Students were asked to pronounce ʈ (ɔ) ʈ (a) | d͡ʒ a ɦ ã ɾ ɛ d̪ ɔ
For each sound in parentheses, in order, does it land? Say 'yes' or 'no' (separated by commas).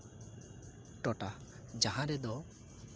yes, yes